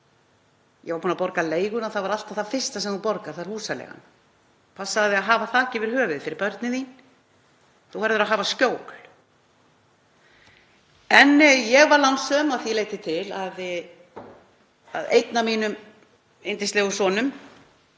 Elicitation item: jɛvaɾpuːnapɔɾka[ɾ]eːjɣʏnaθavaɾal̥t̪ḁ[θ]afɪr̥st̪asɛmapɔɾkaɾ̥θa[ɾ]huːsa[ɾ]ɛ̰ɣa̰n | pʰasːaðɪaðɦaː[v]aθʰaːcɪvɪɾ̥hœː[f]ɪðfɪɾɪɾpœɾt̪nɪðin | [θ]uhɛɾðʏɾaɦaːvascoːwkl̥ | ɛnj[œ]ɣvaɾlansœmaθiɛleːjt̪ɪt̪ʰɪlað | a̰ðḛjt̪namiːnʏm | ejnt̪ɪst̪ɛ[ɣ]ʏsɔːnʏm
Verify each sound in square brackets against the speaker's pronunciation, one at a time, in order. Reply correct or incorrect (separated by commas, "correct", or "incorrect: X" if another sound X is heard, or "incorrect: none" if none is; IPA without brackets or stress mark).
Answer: incorrect: l, correct, correct, incorrect: l, correct, incorrect: v, correct, incorrect: ɛ, correct